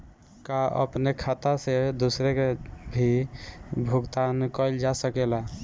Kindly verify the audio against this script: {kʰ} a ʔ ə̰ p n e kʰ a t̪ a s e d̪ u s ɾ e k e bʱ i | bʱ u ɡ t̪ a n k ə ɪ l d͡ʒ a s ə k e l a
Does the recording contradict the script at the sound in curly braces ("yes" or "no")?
yes